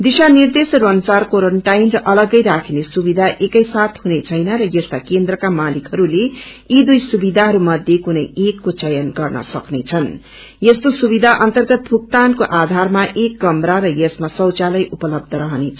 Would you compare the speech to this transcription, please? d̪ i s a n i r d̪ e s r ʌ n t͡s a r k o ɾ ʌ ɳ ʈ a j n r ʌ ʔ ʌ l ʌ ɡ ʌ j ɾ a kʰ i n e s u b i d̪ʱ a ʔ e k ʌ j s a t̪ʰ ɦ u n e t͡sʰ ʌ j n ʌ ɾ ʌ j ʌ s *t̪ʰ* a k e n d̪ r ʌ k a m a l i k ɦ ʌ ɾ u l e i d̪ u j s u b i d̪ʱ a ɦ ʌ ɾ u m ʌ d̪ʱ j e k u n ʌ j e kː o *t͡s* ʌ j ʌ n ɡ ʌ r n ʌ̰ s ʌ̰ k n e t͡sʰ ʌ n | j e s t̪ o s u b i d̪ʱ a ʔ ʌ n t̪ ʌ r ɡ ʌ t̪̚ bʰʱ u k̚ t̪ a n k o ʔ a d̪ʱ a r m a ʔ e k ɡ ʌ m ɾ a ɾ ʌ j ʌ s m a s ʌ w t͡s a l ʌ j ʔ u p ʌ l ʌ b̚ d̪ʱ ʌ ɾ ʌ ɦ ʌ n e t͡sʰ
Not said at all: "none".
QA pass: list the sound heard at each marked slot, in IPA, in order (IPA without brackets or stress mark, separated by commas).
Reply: t̪, t͡s